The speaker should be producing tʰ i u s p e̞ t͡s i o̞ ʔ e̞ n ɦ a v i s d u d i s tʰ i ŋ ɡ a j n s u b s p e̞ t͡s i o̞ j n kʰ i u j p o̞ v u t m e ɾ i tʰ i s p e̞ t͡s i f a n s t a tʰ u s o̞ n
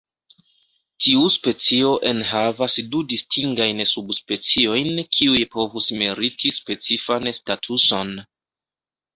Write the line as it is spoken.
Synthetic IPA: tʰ i u s p e̞ t͡s i o̞ ʔ e̞ n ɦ a v a s d u d i s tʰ i ŋ ɡ a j n s u b s p e̞ t͡s i o̞ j n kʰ i u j p o̞ v u s m e ɾ i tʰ i s p e̞ t͡s i f a n s t a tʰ u s o̞ n